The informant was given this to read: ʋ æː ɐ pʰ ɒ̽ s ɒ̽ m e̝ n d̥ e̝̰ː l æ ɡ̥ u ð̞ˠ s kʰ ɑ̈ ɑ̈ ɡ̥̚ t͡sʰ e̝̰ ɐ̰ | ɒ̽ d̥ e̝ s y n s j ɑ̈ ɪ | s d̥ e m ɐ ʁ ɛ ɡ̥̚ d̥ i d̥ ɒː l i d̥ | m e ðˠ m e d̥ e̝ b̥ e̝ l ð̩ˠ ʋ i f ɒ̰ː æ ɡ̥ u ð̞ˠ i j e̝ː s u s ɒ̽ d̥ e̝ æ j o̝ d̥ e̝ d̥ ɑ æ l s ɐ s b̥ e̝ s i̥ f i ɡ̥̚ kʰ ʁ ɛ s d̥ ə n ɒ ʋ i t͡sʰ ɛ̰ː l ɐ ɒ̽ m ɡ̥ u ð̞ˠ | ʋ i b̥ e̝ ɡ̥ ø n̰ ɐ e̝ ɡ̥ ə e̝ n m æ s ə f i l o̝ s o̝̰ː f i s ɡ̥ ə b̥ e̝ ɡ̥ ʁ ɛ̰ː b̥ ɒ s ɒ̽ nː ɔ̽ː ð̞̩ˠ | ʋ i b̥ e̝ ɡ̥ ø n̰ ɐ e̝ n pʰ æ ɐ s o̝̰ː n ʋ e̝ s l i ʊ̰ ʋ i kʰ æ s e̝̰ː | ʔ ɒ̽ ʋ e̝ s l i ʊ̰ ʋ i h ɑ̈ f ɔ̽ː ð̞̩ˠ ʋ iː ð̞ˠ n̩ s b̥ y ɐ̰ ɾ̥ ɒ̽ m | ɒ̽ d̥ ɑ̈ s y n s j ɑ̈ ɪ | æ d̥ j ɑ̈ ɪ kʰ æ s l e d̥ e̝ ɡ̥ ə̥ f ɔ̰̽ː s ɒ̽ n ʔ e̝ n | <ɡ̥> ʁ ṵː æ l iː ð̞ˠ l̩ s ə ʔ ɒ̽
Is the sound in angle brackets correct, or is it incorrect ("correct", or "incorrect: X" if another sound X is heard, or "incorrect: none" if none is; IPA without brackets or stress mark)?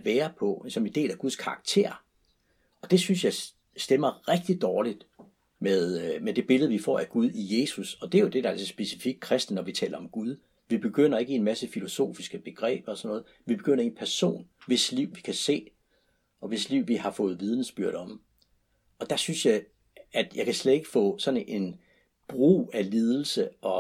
incorrect: b̥